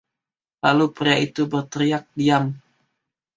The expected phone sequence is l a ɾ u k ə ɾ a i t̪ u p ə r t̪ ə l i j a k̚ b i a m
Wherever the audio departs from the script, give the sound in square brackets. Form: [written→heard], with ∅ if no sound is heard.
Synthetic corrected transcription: l a [ɾ→l] u [k→p] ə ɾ a i t̪ u [p→b] ə r t̪ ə [l→ɾ] i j a k̚ [b→d] i a m